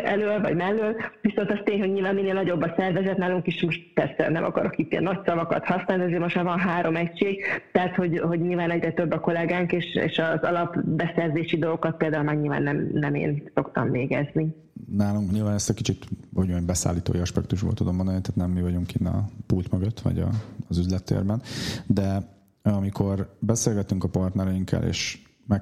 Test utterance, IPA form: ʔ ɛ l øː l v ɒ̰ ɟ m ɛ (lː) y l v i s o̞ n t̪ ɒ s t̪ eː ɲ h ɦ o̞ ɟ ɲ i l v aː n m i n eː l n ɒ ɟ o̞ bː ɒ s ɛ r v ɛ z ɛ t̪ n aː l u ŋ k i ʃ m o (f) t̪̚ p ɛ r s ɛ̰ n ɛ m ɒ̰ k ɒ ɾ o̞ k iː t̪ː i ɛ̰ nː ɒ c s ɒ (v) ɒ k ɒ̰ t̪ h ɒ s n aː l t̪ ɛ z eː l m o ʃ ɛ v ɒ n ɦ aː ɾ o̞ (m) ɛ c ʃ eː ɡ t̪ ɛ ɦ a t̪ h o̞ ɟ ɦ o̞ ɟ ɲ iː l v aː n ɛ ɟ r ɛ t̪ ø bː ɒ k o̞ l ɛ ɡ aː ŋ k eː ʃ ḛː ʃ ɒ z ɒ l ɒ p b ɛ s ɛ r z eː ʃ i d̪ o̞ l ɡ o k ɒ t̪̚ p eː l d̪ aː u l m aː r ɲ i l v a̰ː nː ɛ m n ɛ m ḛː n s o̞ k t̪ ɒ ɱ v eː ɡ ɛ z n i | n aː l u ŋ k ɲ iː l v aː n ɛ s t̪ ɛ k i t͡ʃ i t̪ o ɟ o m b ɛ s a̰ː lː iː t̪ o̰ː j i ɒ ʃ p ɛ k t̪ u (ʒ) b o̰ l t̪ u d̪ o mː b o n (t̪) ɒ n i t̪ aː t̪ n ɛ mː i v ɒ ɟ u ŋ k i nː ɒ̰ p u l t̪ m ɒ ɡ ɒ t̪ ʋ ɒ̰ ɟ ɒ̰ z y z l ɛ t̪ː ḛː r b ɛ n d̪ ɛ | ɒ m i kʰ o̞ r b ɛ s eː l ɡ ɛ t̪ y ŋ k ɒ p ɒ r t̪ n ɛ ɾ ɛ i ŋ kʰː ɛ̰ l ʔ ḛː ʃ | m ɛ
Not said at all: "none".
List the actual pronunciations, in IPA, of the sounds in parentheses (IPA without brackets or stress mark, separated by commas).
lː, ʃ, v, m, ʒ, d̪